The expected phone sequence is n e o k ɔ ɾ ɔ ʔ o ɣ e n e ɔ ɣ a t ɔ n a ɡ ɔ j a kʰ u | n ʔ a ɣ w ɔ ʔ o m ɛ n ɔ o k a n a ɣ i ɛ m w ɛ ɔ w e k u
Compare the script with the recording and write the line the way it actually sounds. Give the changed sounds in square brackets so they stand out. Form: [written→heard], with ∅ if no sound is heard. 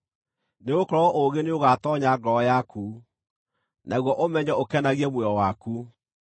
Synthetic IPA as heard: n e o k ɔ ɾ ɔ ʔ o ɣ e n e [ɔ→o] ɣ a t ɔ [n→ɲ] a ɡ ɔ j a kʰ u | n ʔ a ɣ w ɔ ʔ o m ɛ [n→ɲ] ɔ o k [a→ɛ] n a ɣ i ɛ m w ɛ ɔ w [e→a] k u

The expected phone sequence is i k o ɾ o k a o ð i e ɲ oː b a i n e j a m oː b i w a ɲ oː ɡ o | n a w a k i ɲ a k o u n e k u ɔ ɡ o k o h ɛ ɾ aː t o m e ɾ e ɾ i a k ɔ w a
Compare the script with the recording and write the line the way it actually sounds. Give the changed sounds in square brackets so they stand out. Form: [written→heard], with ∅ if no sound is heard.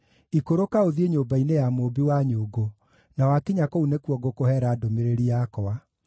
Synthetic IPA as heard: i k o ɾ o k a o ð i e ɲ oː b a i n e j a m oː b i w a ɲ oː ɡ o | n a w a k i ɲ a k o u n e k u ɔ ɡ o k o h ɛ ɾ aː [t→d] o m e ɾ e ɾ i a k ɔ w a

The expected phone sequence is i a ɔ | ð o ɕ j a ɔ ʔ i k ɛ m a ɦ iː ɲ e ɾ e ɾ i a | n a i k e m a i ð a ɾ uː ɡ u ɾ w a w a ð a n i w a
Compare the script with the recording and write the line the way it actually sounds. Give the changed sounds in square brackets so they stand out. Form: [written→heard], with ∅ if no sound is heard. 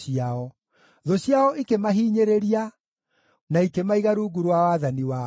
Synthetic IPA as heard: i a ɔ | ð o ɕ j a ɔ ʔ i k [ɛ→e] m a ɦ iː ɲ e ɾ e ɾ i a | n a i k e m a i [ð→ɣ] a ɾ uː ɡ u ɾ w a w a ð a n i w a

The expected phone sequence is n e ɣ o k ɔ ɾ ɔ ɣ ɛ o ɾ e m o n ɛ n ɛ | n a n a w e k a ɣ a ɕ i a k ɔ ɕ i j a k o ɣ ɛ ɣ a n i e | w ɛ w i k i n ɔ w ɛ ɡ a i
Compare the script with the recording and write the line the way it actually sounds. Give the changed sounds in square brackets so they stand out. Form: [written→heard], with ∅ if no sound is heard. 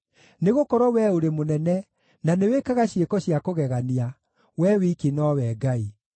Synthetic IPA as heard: n e ɣ o k ɔ ɾ ɔ [ɣ→w] ɛ o ɾ e m o n ɛ n ɛ | n a n [a→e] w e k a ɣ a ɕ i [a→e] k ɔ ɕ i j a k o ɣ ɛ ɣ a n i [e→a] | w ɛ w i k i n ɔ w ɛ ɡ a i

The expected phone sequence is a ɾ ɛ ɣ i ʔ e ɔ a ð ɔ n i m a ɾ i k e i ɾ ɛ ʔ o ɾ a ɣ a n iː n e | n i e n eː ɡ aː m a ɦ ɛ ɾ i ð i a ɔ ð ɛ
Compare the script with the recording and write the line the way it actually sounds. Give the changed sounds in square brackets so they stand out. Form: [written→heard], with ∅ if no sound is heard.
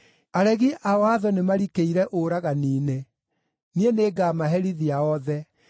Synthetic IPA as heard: a ɾ ɛ ɣ i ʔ [e→a] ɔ a ð ɔ n [i→e] m a ɾ i k e i ɾ ɛ ʔ o ɾ a ɣ a n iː n e | n i e n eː ɡ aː m a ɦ ɛ ɾ i ð i a ɔ ð ɛ

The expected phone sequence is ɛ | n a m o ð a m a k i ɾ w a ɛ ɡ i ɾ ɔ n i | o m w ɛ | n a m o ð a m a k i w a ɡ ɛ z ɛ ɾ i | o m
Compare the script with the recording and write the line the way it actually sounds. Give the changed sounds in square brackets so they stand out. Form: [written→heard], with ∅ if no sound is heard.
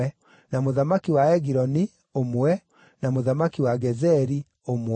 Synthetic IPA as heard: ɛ | n a m o ð a m a k i [ɾ→∅] w a ɛ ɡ i ɾ ɔ n i | o m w ɛ | n a m o ð a m a k i w a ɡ ɛ z ɛ ɾ i | o m

